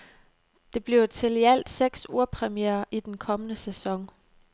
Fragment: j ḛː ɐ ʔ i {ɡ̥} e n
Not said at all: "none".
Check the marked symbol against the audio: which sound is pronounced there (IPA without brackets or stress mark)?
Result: d̥